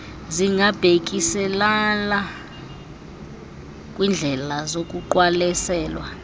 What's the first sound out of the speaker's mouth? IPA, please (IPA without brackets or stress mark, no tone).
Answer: z